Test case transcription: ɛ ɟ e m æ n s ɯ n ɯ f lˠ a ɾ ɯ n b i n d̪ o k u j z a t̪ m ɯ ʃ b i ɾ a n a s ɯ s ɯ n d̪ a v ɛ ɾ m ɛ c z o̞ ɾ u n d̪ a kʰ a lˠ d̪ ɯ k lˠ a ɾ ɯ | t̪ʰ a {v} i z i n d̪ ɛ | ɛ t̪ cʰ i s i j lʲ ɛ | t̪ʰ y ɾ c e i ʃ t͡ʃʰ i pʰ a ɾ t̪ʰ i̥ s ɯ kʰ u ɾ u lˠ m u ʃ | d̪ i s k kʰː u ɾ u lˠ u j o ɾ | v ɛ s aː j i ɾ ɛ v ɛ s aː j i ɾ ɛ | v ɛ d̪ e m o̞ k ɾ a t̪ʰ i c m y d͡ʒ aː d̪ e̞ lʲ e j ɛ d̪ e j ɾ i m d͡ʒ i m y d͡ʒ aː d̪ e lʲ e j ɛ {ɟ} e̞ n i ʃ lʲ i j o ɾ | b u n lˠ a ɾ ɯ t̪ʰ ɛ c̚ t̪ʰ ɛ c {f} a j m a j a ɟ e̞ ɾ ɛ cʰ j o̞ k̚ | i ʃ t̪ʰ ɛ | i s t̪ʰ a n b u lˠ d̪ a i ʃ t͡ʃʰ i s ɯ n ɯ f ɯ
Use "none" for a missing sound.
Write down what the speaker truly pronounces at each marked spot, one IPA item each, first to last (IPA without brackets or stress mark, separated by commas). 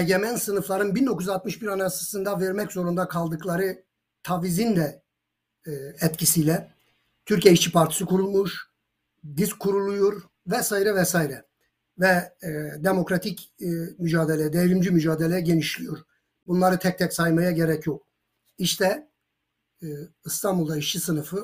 v, ɟ, s